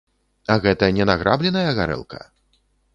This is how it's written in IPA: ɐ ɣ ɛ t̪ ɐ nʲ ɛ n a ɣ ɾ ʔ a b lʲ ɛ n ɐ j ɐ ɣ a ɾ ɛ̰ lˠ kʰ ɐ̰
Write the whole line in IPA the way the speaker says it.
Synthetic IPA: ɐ ɣ ɛ t̪ ɐ nʲ ɛ n a ɣ ɾ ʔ a b lʲ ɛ n ɐ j ɐ ɣ a ɾ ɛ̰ lˠ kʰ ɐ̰